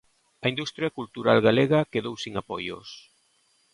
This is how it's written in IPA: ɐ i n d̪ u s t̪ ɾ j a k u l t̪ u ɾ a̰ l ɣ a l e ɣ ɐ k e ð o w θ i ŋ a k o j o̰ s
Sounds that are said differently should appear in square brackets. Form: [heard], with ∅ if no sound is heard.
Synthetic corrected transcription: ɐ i n d̪ u s t̪ ɾ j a k u l t̪ u ɾ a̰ l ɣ a l e ɣ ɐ k e ð o w [s] i ŋ a [p] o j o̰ s